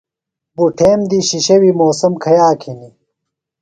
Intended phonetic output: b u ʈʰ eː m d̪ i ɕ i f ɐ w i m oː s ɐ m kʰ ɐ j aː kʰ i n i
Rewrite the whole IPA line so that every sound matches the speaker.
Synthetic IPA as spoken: b u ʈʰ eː m d̪ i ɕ i ɕ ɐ w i m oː s ɐ m kʰ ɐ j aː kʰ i n i